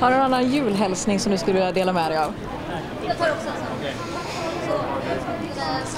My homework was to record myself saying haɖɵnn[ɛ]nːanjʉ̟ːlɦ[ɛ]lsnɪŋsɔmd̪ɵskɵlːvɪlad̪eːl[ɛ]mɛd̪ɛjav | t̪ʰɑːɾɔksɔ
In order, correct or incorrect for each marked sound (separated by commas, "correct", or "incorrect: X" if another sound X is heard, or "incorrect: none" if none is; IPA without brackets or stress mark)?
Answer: incorrect: a, correct, incorrect: a